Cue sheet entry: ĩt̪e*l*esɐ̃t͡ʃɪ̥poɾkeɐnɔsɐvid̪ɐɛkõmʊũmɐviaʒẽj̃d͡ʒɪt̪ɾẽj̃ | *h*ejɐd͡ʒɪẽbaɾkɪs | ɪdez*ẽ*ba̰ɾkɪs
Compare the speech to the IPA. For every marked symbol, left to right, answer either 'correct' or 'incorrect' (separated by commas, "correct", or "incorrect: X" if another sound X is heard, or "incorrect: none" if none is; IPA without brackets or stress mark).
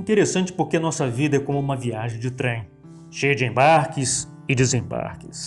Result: incorrect: ɾ, incorrect: ʃ, correct